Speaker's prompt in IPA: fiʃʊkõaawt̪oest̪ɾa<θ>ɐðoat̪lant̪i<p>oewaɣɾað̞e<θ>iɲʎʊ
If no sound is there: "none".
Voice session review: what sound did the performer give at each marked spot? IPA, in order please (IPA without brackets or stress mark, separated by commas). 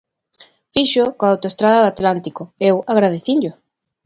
ð, k, θ